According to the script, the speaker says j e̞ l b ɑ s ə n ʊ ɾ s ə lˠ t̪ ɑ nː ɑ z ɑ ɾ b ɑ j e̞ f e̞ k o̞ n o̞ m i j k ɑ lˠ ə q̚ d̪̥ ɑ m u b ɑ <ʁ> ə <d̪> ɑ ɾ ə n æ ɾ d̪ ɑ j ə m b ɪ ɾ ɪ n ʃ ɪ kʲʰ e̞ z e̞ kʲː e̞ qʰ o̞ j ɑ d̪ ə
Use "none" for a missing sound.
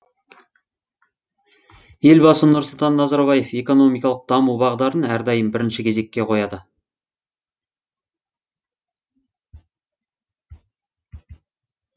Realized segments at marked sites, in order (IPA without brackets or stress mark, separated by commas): ʁ, d̪